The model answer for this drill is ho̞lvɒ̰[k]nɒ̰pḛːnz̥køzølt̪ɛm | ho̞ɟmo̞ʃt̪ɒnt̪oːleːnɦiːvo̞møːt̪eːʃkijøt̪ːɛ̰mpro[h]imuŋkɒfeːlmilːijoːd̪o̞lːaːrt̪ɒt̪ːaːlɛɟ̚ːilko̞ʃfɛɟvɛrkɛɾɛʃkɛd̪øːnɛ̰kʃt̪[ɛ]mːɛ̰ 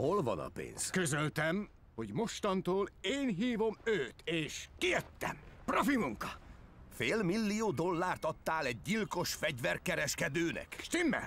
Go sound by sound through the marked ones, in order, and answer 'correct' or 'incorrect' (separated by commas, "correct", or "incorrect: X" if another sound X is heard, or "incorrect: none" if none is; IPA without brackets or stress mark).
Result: incorrect: none, incorrect: f, incorrect: i